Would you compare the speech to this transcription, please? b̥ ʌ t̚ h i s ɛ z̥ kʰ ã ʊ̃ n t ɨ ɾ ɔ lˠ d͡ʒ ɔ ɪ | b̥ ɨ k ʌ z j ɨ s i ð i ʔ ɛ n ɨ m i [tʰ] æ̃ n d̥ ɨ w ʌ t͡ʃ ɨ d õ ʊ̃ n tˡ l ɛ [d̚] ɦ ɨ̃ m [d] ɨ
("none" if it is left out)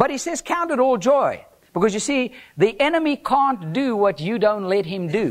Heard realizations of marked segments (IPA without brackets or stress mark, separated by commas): kʰ, t̚, d